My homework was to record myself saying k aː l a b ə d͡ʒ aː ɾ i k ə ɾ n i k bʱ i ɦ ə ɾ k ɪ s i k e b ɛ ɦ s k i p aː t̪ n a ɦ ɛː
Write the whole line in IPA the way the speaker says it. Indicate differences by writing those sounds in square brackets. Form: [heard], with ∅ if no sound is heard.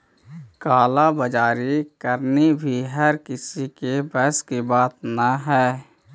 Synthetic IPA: k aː l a b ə d͡ʒ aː ɾ i k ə ɾ n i [∅] bʱ i ɦ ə ɾ k ɪ s i k e b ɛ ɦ s k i [b] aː t̪ n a ɦ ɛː

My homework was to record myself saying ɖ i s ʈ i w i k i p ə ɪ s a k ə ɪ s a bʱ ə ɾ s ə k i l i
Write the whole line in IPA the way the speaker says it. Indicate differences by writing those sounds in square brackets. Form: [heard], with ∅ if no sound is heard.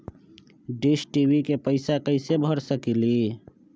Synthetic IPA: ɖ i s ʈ i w i k [e] p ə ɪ s a k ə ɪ s [e] bʱ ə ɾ s ə k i l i

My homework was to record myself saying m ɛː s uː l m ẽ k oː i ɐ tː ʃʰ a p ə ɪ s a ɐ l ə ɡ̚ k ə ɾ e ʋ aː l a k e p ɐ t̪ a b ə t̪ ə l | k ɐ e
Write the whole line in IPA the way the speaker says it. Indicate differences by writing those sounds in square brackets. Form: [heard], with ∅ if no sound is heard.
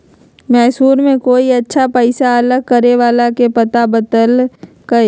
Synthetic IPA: m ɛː s uː [ɾ] m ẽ k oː i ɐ tː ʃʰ a p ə ɪ s a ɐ l ə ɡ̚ k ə ɾ e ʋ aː l a k e p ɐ t̪ a b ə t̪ ə l | k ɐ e

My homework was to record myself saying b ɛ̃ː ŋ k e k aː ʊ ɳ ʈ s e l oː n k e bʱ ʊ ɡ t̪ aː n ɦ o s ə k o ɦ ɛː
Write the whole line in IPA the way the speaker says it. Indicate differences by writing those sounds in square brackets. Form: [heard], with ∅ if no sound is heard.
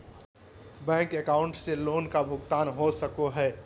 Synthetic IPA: b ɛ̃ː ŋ k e k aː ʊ ɳ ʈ s e l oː n k [a] bʱ ʊ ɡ t̪ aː n ɦ o s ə k o ɦ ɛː

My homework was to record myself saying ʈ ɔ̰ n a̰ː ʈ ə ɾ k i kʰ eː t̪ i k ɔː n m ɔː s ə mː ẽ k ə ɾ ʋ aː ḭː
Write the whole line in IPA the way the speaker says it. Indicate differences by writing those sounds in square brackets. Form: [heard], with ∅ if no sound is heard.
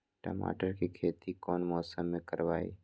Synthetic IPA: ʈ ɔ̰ [m] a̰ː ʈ ə ɾ k i kʰ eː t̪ i k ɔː n m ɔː s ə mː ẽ k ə ɾ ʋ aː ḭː

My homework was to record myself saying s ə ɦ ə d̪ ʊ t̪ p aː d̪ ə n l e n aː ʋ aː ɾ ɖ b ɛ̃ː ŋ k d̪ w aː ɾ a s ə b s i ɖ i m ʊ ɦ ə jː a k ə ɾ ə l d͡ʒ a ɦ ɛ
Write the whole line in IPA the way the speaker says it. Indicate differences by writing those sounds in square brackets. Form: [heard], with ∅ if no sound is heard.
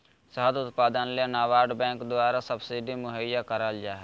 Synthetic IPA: s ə ɦ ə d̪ ʊ t̪ p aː d̪ ə n l e n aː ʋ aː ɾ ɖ b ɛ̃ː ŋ k d̪ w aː ɾ a s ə b s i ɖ i m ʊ ɦ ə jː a k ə ɾ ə l d͡ʒ a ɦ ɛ

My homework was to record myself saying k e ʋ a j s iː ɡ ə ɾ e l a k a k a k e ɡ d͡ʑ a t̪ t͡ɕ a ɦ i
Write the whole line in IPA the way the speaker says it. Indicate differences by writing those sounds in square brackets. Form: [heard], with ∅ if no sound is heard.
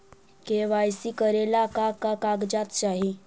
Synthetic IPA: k e ʋ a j s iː [k] ə ɾ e l a k a k a k [a] ɡ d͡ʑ a t̪ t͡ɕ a ɦ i

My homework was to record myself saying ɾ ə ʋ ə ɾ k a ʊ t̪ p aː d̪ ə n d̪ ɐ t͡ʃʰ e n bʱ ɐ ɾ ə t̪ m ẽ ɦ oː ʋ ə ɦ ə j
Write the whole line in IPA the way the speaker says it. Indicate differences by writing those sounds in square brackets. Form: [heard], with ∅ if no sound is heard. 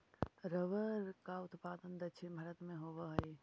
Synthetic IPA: ɾ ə ʋ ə ɾ k a ʊ t̪ p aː d̪ ə n d̪ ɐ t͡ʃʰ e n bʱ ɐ ɾ ə t̪ m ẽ ɦ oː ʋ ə ɦ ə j

